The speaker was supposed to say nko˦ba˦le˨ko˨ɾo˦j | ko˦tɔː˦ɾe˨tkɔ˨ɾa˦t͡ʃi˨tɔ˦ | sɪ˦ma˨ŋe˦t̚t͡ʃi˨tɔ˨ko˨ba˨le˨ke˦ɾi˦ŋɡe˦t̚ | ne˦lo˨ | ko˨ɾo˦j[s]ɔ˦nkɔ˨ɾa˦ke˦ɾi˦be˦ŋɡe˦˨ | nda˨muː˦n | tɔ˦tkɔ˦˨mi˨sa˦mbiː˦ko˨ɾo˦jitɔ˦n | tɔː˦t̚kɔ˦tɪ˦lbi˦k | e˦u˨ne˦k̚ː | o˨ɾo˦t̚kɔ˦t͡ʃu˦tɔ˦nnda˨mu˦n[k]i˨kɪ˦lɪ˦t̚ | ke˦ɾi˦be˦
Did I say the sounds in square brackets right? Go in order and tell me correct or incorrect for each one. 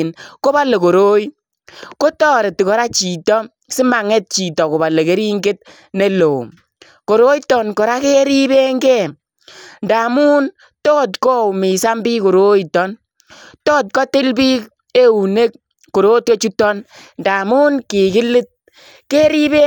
incorrect: t, correct

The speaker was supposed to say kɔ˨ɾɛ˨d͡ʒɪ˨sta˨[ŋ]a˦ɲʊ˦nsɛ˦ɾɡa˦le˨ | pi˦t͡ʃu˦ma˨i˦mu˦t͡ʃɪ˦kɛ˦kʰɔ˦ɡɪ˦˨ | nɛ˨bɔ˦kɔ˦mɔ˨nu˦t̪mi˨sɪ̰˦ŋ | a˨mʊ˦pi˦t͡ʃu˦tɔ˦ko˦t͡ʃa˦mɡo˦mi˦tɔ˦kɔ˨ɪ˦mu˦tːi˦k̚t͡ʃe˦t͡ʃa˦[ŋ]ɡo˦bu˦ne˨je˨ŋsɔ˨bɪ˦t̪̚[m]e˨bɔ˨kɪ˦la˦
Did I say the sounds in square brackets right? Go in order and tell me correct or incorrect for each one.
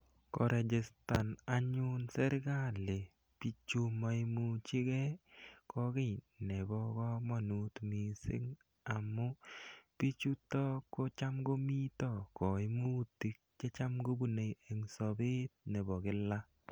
incorrect: n, incorrect: m, incorrect: n

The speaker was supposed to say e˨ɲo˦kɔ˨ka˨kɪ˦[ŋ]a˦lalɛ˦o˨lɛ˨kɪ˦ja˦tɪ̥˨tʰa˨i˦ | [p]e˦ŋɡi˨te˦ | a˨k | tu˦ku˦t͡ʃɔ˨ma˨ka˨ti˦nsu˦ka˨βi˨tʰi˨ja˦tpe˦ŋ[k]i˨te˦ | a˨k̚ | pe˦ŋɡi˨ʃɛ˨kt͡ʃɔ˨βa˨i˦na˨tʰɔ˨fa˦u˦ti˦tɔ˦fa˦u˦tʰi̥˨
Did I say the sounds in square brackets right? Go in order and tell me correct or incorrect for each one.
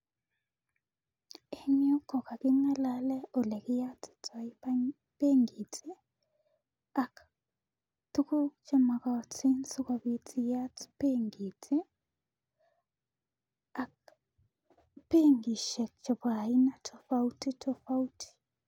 correct, correct, incorrect: ɡ

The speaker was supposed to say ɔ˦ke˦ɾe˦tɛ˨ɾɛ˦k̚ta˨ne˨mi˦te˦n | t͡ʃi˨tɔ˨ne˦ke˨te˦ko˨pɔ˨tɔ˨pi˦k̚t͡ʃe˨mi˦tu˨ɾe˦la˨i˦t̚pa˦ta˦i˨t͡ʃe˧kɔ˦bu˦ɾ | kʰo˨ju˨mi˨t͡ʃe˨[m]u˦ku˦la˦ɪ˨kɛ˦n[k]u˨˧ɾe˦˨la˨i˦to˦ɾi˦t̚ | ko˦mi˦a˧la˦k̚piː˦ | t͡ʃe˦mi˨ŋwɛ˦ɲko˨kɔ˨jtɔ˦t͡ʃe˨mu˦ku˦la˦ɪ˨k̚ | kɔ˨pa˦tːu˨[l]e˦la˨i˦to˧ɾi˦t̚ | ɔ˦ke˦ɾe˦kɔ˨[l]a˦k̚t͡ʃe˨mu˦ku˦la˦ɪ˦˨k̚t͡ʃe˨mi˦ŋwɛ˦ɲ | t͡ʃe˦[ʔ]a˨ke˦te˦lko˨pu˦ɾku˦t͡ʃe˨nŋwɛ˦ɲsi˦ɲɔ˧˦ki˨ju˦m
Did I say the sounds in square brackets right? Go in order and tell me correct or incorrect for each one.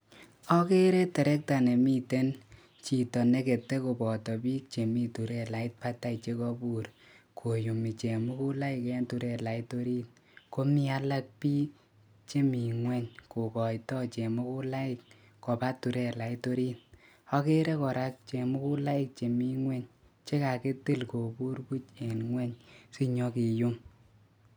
correct, incorrect: t, incorrect: ɾ, incorrect: ɾ, incorrect: k

